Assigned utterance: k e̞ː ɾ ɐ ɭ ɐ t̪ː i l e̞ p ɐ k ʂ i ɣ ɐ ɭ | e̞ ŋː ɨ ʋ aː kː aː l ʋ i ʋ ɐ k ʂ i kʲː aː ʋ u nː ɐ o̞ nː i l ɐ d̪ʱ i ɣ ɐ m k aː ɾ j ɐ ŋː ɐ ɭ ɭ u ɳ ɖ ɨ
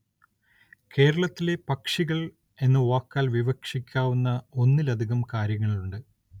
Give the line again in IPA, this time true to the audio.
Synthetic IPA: k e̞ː ɾ ɐ ɭ ɐ t̪ː i l e̞ p ɐ k ʂ i ɣ ɐ ɭ | e̞ nː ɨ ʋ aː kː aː l ʋ i ʋ ɐ k ʂ i kʲː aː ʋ u nː ɐ o̞ nː i l ɐ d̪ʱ i ɣ ɐ m k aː ɾ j ɐ ŋː ɐ ɭ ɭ u ɳ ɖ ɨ